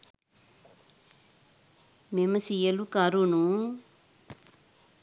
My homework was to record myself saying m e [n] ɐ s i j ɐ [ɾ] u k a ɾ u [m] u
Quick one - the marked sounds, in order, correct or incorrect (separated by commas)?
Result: incorrect, incorrect, incorrect